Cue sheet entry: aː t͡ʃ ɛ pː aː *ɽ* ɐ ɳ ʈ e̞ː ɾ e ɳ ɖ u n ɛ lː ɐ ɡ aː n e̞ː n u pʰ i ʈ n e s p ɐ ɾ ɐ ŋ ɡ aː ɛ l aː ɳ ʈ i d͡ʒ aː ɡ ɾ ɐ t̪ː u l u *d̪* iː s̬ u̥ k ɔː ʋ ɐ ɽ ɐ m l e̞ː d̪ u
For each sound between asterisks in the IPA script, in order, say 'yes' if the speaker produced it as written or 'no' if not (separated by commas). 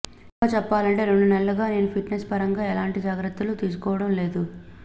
no, no